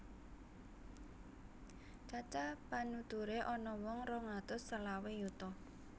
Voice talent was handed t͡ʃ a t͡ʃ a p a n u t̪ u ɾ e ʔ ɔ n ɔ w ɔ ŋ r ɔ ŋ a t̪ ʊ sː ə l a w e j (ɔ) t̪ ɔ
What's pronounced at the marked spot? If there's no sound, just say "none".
u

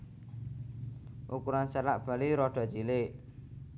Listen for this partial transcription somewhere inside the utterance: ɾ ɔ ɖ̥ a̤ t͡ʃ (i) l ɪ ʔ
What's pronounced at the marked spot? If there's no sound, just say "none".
i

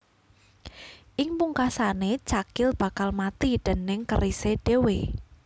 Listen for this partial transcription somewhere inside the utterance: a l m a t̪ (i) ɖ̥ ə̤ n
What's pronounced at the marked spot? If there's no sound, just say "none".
i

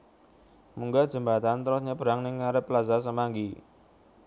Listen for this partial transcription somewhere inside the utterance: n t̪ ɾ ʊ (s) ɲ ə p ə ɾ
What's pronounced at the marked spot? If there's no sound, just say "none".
s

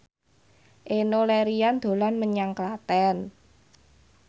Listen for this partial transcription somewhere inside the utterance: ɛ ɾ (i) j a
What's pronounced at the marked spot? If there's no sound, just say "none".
i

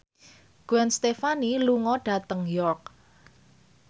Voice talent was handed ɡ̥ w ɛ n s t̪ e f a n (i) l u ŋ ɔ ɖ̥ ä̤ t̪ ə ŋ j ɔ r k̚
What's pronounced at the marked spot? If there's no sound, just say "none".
i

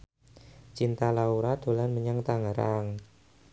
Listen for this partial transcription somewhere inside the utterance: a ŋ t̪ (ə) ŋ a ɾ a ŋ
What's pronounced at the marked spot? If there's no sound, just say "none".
a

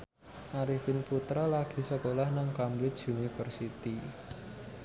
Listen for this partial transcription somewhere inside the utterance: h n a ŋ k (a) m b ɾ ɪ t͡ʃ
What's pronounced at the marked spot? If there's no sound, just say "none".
a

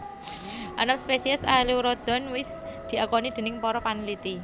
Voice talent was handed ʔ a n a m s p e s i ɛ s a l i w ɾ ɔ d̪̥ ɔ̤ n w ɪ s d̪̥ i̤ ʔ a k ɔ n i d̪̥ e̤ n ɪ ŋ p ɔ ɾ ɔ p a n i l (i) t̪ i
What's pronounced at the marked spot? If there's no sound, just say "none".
i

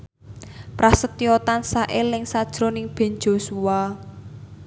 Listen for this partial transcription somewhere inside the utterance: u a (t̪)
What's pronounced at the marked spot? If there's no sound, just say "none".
none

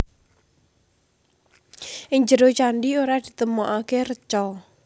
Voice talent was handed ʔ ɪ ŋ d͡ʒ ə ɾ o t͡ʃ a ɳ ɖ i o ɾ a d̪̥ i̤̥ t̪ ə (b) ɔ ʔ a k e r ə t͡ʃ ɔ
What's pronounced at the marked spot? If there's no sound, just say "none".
m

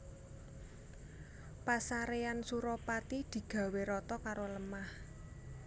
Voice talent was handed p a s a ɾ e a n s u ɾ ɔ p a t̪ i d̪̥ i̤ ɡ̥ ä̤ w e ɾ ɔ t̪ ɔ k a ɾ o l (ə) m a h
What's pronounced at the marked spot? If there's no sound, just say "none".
ə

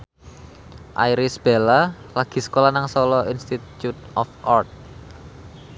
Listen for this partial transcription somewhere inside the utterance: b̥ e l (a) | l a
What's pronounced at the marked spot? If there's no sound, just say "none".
a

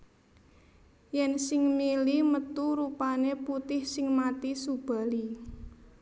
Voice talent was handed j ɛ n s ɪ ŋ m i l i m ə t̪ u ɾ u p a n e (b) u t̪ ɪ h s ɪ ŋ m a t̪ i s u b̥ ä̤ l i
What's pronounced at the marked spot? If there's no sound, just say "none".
p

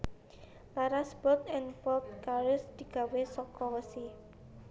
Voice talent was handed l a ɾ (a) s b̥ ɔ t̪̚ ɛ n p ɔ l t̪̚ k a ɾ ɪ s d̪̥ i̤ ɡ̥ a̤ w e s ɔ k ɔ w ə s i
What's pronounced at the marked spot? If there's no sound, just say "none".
a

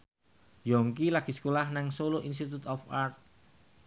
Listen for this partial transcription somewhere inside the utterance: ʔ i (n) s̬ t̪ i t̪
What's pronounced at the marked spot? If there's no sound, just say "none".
n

